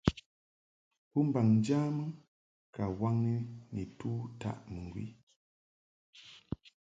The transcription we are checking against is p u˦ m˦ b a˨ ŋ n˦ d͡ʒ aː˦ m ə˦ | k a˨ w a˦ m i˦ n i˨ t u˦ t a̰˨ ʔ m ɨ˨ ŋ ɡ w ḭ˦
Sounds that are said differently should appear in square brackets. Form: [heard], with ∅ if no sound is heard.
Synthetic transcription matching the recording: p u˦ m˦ b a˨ ŋ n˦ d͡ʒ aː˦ m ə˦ | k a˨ w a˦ [ŋ] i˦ n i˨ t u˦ t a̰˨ ʔ m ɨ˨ ŋ ɡ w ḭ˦